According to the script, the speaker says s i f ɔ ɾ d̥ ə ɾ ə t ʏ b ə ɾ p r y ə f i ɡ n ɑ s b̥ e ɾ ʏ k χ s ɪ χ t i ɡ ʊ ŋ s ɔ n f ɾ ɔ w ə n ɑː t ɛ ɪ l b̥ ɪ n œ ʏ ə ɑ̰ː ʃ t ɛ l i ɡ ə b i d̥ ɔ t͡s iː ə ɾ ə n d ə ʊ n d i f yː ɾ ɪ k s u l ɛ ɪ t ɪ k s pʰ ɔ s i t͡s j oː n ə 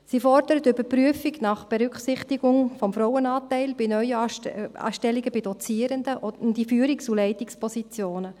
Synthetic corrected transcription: s i f ɔ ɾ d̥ ə ɾ ə t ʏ b ə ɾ p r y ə f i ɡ n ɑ χ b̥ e ɾ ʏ k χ s ɪ χ t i ɡ ʊ ŋ f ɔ m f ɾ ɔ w ə n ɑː t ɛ ɪ l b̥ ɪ n œ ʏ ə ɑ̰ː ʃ t ɛ l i ɡ ə b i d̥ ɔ t͡s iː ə ɾ ə n d ə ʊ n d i f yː ɾ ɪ k s u l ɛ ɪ t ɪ k s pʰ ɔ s i t͡s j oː n ə